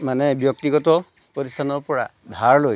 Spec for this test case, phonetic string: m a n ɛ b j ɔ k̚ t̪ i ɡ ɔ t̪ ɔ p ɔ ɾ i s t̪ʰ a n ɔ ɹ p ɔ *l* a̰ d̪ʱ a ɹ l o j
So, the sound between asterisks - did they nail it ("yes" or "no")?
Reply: no